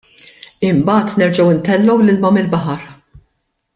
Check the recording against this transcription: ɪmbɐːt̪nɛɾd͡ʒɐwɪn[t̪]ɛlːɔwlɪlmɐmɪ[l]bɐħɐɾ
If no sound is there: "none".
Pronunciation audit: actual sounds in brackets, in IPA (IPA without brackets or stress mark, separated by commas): t̪, l